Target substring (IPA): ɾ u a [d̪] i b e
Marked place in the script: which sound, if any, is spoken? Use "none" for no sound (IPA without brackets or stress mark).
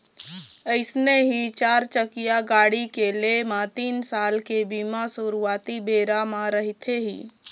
t̪